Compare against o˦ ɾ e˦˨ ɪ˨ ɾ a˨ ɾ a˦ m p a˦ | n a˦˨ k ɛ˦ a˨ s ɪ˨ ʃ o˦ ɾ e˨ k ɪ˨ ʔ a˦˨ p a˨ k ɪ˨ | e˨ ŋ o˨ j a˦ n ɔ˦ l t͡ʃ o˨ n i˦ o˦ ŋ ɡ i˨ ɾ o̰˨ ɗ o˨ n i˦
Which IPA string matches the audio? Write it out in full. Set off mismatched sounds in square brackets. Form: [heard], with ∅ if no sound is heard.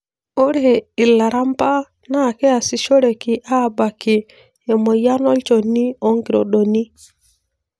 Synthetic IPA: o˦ ɾ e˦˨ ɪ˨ [l] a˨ ɾ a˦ m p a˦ | n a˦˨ k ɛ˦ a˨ s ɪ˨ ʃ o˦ ɾ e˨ k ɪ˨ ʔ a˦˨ [b] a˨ k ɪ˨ | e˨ [m] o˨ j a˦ n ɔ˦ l t͡ʃ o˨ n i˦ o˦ ŋ ɡ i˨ ɾ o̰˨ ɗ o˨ n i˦